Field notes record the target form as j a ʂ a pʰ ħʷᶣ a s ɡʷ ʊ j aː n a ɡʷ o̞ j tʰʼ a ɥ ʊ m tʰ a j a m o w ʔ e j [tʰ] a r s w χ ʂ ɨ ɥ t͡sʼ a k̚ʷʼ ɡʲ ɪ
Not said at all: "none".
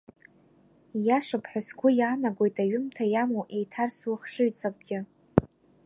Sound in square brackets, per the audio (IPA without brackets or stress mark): tʰ